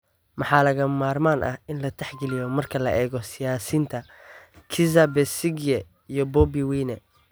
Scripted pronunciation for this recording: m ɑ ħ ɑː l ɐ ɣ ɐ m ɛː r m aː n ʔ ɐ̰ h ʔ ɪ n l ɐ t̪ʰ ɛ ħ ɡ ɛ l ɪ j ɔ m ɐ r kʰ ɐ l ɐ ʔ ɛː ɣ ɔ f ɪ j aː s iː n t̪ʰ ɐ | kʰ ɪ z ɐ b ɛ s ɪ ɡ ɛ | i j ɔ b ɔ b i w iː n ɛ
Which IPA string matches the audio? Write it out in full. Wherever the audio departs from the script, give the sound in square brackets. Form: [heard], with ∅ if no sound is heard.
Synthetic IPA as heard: m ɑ ħ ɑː l ɐ ɣ ɐ m [aː] r m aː n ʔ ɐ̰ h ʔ ɪ n l ɐ t̪ʰ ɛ ħ ɡ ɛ l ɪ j ɔ m ɐ r kʰ ɐ l ɐ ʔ ɛː ɣ ɔ [s] ɪ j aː s iː n t̪ʰ ɐ | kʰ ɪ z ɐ b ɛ s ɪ ɡ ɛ | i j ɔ b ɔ b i w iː n ɛ